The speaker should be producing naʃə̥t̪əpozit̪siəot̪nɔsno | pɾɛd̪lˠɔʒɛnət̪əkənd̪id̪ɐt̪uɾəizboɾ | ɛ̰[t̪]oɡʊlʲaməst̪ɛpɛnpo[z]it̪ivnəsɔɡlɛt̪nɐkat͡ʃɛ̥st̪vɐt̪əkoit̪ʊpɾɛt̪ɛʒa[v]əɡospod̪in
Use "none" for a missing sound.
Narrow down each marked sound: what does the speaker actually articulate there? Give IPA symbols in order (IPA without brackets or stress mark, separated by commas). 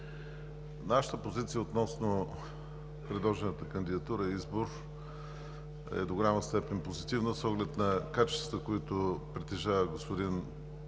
d̪, z, v